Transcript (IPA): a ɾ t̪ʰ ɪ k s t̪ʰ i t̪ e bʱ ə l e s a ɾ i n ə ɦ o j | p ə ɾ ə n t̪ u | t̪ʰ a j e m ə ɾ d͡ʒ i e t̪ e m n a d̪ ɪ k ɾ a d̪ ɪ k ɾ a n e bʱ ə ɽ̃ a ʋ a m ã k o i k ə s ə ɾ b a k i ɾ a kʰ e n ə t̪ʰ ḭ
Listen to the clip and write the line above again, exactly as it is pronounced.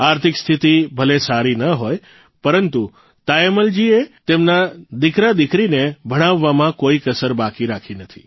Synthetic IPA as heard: a ɾ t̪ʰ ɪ k s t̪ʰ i t̪ i bʱ ə l e s a ɾ i n ə ɦ o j | p ə ɾ ə n t̪ u | t̪ a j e m ə l d͡ʒ i e t̪ e m n a d̪ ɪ k ɾ a d̪ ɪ k ɾ i n e bʱ ə ɽ̃ a ʋː a m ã k o i k ə s ə ɾ b a k i ɾ a kʰ i n ə t̪ʰ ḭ